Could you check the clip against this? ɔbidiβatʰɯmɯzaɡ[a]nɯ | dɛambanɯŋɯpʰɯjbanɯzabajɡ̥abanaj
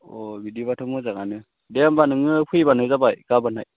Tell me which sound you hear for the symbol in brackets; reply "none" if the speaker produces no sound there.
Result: a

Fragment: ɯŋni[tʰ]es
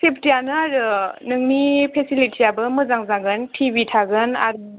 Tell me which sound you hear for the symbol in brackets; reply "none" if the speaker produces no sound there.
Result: pʰ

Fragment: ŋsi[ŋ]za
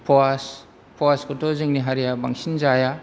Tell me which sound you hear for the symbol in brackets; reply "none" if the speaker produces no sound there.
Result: n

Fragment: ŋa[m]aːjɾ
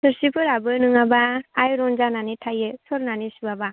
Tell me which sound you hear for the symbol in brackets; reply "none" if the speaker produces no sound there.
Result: b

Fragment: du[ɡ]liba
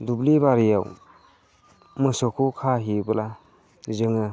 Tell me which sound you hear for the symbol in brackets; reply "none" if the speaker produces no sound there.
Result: b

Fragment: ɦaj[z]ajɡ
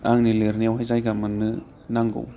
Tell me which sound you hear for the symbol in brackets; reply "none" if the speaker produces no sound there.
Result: z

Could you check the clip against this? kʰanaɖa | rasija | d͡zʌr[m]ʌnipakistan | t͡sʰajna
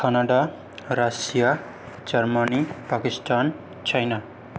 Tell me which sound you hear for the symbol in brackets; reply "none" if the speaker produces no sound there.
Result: m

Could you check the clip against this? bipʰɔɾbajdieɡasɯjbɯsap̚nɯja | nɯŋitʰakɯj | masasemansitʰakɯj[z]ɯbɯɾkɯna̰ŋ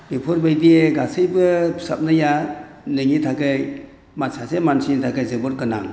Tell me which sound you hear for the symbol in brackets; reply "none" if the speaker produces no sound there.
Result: z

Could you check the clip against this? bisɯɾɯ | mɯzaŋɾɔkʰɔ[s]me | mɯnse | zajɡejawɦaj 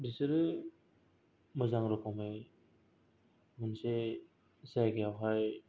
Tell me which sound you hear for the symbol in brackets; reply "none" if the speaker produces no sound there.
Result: none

